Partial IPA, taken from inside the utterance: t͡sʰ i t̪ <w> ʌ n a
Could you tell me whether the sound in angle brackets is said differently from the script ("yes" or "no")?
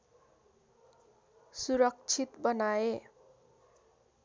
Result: yes